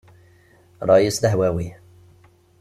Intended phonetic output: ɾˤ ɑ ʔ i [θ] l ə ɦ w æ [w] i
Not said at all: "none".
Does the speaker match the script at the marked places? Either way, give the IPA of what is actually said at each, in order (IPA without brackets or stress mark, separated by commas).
s, w